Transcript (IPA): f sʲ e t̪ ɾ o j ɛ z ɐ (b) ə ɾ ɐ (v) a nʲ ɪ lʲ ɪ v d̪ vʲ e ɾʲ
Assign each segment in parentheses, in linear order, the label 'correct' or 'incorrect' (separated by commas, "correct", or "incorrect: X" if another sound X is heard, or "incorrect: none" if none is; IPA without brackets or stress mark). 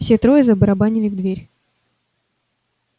correct, incorrect: b